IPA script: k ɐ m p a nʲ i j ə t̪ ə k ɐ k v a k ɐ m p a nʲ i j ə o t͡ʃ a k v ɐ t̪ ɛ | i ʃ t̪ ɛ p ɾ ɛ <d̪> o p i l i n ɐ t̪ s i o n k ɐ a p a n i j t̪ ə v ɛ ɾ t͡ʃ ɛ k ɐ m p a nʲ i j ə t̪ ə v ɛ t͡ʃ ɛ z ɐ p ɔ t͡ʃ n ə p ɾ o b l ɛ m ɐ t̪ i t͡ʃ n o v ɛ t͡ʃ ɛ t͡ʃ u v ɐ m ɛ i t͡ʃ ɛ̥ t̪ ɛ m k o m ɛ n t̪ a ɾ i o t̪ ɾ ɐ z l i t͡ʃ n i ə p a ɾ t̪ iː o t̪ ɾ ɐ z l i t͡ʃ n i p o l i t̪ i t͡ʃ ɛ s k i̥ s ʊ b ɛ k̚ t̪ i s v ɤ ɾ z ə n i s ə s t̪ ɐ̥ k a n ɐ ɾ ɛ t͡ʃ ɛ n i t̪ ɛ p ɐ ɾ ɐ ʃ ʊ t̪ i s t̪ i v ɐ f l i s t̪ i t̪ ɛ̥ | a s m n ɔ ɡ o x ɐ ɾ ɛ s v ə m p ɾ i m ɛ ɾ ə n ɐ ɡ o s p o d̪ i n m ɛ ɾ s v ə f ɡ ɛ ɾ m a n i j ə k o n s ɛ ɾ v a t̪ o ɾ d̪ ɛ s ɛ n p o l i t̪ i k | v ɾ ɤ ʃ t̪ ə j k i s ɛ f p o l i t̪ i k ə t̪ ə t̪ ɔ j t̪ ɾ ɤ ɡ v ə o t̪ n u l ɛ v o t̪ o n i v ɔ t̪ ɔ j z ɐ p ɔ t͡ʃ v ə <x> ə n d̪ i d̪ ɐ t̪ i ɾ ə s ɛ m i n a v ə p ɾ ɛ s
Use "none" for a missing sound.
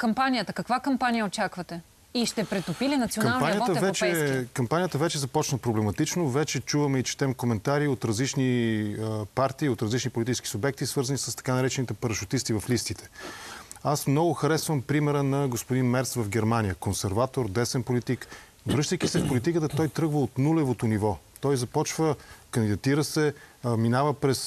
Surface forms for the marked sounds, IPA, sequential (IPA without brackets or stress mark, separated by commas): t̪, k